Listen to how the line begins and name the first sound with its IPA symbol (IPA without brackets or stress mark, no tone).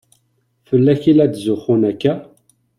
f